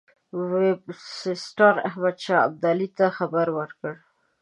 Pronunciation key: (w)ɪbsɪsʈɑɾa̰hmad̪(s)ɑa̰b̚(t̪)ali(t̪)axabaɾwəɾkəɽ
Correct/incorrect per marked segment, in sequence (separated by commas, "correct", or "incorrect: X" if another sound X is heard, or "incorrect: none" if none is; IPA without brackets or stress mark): correct, incorrect: ʃ, incorrect: d̪, correct